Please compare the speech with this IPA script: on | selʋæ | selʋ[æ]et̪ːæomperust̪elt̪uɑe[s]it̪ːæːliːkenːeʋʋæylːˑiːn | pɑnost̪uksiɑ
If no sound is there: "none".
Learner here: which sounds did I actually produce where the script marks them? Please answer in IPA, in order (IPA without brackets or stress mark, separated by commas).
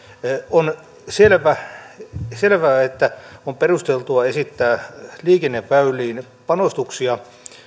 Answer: æː, s